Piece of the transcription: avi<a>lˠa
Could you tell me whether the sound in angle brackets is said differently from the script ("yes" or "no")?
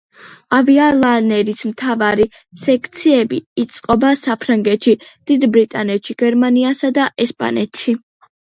no